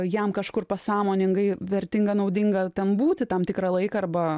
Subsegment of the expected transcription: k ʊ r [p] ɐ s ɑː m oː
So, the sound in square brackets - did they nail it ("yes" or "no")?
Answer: yes